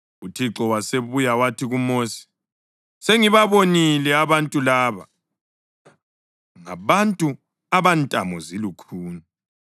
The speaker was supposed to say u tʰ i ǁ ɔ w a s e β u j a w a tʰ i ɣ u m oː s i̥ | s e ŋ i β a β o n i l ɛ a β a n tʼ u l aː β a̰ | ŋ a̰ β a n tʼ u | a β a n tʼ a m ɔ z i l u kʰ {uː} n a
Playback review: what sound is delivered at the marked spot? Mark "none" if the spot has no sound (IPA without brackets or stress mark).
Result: uː